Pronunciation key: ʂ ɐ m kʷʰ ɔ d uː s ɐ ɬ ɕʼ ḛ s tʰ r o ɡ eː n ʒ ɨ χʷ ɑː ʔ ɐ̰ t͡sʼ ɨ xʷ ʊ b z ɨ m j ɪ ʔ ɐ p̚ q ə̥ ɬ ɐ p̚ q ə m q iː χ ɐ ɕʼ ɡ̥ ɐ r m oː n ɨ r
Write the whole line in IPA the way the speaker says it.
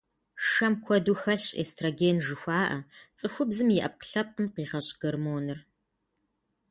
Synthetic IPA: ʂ ɐ m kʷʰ ɔ d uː x ɐ ɬ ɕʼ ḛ s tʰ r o ɡ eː n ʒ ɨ xʷ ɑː ʔ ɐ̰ t͡sʼ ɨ xʷ ʊ b z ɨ m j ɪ ʔ ɐ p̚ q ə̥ ɬ ɐ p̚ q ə m q iː ʁ ɐ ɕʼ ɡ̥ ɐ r m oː n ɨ r